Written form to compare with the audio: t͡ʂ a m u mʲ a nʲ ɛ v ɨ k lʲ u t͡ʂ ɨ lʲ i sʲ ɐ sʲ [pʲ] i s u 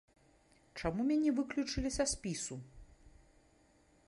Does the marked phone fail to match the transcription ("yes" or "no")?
no